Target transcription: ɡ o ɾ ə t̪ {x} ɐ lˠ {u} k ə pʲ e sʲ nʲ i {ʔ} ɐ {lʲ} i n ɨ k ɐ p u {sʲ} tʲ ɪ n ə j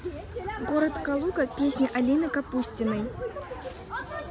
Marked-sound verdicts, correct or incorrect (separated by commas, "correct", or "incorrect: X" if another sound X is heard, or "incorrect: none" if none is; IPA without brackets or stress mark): incorrect: k, correct, correct, correct, correct